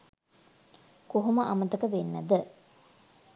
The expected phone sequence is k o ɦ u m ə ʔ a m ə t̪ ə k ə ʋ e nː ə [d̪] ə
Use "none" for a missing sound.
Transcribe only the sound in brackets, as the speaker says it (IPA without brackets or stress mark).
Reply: d̪